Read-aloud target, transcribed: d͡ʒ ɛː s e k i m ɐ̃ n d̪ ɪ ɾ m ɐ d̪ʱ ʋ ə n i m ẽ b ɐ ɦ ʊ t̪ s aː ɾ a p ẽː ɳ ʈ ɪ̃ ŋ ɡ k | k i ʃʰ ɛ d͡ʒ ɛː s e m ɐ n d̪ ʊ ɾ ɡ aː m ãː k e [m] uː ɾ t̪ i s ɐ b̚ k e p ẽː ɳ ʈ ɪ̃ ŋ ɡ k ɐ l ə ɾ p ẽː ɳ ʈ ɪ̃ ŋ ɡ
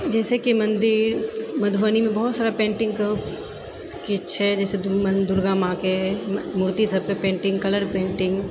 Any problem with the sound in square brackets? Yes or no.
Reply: no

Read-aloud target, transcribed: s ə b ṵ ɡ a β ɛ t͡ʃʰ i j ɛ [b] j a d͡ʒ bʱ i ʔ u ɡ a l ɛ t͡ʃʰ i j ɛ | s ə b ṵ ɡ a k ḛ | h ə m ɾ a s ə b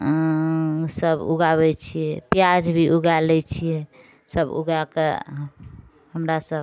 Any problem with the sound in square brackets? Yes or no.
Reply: yes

